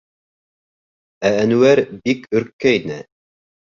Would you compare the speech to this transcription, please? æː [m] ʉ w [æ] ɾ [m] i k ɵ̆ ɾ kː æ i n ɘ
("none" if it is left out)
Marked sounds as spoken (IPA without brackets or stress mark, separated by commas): n, æ, b